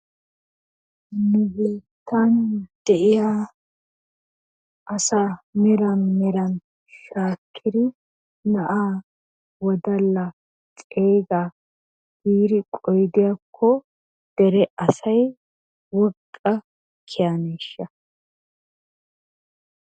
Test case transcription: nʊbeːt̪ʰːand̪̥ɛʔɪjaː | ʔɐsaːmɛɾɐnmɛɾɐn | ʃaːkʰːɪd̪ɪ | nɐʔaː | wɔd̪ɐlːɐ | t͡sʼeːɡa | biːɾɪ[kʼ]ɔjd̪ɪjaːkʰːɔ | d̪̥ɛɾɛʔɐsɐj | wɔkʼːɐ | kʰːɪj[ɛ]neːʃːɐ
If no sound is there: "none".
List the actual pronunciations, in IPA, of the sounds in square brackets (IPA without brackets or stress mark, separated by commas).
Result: kʼ, a